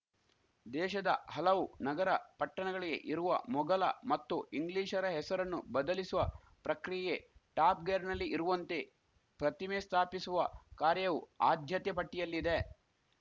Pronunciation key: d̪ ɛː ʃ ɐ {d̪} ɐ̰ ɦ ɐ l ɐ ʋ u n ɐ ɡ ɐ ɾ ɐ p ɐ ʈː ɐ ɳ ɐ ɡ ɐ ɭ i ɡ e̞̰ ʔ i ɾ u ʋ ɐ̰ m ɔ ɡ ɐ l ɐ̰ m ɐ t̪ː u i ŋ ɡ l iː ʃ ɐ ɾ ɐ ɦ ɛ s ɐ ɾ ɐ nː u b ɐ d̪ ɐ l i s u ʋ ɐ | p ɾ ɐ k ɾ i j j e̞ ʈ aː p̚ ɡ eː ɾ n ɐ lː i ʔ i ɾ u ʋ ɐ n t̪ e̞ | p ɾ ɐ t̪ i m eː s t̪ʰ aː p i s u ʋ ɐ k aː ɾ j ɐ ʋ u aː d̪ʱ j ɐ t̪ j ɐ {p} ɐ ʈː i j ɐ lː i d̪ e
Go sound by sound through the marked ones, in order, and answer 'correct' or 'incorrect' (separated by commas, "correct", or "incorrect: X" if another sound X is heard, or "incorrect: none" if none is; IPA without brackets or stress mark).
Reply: correct, correct